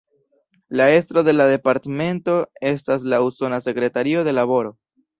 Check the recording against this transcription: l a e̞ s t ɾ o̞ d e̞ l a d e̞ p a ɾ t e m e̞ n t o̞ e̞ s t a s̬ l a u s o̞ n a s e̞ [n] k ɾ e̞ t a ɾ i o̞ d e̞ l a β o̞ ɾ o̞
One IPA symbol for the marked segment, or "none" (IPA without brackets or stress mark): none